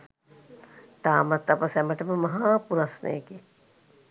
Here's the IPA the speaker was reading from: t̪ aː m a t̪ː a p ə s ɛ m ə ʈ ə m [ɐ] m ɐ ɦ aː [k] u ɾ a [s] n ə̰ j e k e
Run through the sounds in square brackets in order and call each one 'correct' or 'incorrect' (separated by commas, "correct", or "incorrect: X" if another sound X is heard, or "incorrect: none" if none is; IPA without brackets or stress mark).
incorrect: ə, incorrect: p, correct